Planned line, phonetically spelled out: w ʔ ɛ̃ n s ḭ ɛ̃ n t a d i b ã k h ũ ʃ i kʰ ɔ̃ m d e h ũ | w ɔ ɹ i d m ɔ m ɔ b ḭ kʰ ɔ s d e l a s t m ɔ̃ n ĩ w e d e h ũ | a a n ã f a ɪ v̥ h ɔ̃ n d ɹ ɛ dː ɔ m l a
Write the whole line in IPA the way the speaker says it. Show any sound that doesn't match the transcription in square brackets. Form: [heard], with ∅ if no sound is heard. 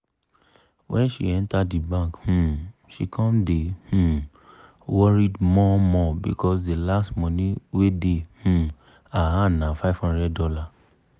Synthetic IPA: w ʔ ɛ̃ n [ʃ] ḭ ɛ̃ n t a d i b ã k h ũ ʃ i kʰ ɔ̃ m d e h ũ | w ɔ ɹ i d m ɔ m ɔ b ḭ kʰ ɔ s d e l a s t m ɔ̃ n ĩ w e d e h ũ | a a n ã f a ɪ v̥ h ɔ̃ n d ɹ ɛ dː ɔ [∅] l a